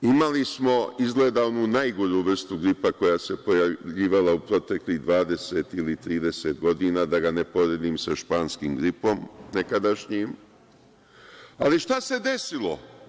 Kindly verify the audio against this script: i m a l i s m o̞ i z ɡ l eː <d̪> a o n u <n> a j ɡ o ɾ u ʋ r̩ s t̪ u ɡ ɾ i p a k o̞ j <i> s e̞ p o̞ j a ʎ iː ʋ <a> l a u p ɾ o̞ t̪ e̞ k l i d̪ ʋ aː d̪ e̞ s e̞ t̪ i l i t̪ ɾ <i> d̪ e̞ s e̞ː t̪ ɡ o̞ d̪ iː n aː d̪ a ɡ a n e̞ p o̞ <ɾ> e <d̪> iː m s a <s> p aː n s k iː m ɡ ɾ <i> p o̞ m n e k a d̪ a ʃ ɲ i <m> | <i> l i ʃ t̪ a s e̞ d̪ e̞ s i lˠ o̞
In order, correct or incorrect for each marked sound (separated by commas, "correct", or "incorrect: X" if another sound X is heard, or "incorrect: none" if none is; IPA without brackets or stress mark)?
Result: correct, correct, incorrect: a, correct, incorrect: iː, correct, correct, incorrect: ʃ, correct, correct, incorrect: a